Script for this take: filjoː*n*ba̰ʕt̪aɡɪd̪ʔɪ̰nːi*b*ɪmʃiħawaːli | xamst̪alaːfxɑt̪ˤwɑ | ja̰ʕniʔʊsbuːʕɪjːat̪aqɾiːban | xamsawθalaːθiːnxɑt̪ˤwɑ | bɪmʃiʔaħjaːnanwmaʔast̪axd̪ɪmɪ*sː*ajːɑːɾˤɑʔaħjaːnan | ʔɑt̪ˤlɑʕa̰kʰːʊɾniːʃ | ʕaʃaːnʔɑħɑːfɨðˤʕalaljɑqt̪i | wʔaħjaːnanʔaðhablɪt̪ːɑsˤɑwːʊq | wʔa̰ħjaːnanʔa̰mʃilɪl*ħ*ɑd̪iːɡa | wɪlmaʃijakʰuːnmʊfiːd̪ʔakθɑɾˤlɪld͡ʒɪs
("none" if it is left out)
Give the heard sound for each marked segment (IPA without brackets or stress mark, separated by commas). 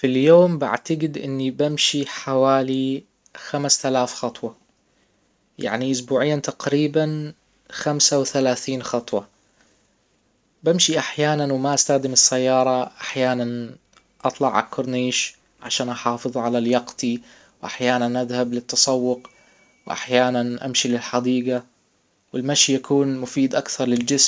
m, b, sː, ħ